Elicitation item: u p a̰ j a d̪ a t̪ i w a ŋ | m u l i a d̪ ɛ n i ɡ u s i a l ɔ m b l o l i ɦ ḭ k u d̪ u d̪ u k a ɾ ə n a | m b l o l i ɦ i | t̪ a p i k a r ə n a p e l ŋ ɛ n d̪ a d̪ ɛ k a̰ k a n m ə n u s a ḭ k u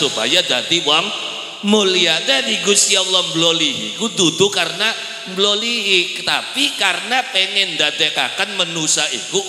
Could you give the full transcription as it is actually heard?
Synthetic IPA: u p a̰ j a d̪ a t̪ i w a ŋ | m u l i a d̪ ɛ n i ɡ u s i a l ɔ m b l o l i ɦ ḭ k u d̪ u d̪ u k a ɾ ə n a | m b l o l i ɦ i | t̪ a p i k a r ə n a p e ŋ ɛ n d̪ a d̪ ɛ k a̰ k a n m ə n u s a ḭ k u